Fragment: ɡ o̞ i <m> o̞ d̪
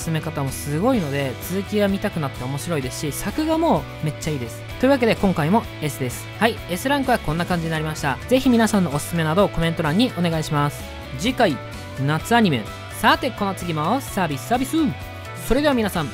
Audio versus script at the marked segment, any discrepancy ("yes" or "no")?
yes